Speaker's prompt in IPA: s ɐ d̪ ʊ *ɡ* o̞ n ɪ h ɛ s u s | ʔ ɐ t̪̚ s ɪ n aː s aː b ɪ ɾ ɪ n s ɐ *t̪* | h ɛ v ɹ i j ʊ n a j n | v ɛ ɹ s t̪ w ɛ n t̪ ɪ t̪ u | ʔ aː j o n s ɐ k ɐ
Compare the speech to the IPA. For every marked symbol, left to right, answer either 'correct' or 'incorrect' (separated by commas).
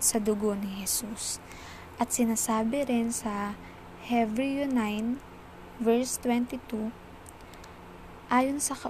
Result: correct, incorrect